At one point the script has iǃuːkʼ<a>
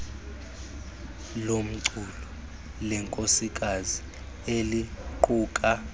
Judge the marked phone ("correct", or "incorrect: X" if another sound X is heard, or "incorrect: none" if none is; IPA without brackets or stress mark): correct